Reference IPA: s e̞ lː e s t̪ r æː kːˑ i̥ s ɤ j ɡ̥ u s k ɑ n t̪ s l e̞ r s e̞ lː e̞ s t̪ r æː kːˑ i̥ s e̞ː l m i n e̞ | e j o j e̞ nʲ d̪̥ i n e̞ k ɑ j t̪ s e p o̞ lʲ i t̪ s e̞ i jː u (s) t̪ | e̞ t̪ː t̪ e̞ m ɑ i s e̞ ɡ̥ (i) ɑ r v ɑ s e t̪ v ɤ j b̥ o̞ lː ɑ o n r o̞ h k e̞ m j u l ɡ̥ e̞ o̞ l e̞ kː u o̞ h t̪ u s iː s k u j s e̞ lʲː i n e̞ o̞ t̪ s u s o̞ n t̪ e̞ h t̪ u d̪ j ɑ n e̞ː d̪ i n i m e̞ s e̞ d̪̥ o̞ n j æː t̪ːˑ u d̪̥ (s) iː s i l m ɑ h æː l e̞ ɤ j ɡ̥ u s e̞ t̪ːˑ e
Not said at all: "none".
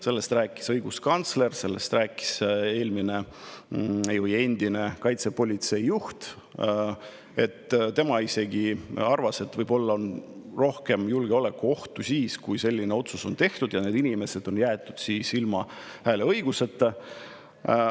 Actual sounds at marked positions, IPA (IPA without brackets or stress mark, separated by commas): h, i, s